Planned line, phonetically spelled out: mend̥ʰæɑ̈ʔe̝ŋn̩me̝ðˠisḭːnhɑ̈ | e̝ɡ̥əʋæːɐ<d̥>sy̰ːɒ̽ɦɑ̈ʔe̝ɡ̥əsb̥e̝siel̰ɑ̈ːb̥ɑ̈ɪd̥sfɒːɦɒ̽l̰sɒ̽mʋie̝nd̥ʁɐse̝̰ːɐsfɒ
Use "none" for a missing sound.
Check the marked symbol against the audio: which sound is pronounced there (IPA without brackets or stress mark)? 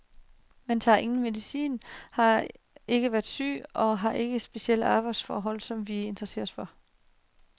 d̥